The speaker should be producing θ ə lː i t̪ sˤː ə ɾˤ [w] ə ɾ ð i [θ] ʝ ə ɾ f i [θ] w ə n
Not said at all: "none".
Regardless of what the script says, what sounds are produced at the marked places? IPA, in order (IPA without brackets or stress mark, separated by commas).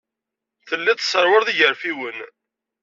w, none, none